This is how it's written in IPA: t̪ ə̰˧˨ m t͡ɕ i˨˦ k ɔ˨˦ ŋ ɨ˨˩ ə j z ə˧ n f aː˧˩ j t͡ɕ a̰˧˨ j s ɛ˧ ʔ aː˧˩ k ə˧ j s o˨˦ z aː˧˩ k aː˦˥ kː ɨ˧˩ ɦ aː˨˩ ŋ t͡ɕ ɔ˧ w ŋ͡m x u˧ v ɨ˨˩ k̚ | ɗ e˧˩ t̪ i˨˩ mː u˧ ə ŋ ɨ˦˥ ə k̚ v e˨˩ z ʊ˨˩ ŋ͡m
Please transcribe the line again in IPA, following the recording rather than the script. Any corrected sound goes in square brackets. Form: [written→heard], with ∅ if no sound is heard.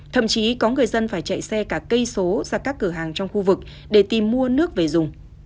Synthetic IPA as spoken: [t̪→t̪ʰ] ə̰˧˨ m t͡ɕ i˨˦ k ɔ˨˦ ŋ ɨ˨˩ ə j z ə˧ n f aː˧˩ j t͡ɕ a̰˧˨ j s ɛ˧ [ʔ→k] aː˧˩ k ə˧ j s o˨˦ z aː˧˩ k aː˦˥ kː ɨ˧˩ ɦ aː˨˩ ŋ t͡ɕ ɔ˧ w ŋ͡m x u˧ v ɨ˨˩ k̚ | ɗ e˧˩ t̪ i˨˩ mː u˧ ə [ŋ→n] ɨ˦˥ ə k̚ v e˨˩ z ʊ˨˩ ŋ͡m